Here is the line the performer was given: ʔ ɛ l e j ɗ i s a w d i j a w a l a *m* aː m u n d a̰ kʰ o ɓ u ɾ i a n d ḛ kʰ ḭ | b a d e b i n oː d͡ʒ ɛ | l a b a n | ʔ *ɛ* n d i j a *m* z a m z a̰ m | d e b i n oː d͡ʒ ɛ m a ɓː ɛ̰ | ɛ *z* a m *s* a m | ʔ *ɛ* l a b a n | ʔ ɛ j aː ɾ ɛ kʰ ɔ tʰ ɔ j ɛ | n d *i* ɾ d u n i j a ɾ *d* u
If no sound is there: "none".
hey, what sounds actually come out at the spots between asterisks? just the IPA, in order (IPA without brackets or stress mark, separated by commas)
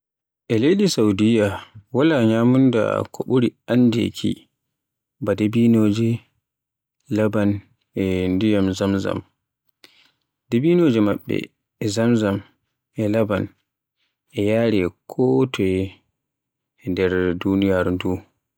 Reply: ɲ, ɛ, m, z, z, ɛ, ɛ, d